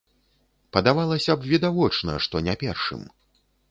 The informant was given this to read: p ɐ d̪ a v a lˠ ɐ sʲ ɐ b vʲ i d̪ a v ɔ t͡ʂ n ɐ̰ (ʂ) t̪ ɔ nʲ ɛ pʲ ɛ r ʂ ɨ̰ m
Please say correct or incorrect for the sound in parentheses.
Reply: correct